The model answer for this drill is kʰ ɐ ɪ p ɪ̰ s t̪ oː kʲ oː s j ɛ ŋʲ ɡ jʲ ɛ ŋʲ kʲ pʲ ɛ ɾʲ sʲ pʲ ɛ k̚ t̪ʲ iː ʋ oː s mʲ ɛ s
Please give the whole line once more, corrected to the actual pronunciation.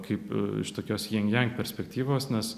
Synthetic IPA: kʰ ɐ ɪ p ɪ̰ ʃ t̪ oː kʲ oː s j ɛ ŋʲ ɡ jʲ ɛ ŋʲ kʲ pʲ ɛ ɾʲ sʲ pʲ ɛ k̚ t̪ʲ iː ʋ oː s nʲ ɛ s